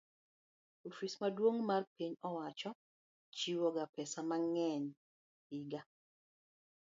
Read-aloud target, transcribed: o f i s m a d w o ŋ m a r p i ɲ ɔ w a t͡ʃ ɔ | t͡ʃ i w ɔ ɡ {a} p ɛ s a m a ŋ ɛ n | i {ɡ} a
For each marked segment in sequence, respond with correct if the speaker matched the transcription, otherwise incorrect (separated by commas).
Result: correct, correct